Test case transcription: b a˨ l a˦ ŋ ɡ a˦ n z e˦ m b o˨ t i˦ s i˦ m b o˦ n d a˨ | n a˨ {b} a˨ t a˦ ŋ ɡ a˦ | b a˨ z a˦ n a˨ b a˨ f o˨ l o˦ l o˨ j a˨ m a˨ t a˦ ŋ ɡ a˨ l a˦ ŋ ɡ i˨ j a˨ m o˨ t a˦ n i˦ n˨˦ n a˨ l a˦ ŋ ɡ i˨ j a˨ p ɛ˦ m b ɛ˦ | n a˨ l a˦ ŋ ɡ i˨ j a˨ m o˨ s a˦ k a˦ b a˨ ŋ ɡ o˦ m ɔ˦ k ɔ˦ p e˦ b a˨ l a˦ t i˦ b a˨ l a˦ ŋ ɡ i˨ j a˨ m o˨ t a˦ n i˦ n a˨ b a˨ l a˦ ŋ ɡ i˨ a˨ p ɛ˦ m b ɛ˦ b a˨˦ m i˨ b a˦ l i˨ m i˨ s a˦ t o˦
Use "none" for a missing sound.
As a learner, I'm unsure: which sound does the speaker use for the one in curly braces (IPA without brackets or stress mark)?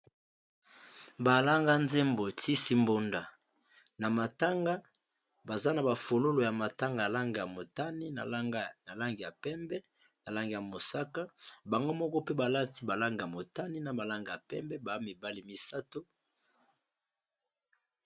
m